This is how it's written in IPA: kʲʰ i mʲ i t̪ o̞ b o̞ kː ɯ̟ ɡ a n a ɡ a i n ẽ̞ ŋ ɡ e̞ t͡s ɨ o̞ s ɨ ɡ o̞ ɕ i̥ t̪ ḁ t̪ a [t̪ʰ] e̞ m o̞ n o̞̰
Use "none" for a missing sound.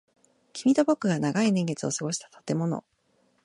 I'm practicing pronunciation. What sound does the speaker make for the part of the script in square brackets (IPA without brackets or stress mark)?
t̪